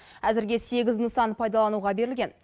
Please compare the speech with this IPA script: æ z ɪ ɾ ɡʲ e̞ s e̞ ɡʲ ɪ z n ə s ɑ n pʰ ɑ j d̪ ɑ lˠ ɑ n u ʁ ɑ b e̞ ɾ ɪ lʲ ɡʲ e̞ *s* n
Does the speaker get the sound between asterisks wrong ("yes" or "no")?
yes